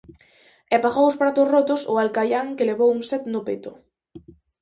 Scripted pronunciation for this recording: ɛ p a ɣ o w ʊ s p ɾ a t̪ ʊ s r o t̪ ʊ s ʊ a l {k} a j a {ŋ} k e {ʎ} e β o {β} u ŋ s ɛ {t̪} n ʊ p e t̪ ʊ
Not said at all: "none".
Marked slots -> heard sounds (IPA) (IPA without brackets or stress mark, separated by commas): k, ŋ, l, w, t̪